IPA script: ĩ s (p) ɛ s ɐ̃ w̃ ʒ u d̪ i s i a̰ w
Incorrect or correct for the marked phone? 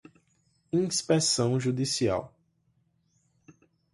correct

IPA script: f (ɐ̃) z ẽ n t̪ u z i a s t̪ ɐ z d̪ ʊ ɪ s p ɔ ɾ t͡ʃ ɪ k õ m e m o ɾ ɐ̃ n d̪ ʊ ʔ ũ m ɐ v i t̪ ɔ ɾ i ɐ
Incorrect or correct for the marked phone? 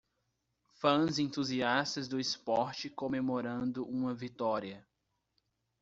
correct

